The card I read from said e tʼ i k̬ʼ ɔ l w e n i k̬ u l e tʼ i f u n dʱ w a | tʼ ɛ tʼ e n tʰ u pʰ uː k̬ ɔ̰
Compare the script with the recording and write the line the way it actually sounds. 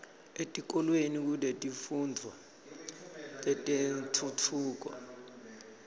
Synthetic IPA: e tʼ i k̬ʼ ɔ l w e n i k̬ u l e tʼ i f u n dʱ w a | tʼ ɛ tʼ e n tʰ u tʰ uː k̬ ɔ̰